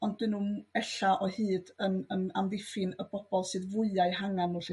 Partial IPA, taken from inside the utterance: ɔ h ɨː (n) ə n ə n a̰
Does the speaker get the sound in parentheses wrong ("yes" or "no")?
yes